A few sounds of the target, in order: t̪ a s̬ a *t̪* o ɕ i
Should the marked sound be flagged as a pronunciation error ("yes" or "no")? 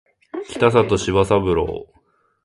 no